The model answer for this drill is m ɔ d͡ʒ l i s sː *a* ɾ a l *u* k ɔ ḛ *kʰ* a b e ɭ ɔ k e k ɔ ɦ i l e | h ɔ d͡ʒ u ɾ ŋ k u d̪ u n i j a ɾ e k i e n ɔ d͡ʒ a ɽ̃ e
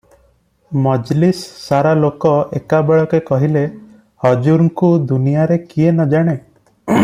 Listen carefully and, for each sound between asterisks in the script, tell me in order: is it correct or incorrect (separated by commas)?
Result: correct, incorrect, incorrect